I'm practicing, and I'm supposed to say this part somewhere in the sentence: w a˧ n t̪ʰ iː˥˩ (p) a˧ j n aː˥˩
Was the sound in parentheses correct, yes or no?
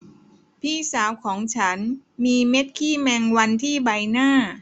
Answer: no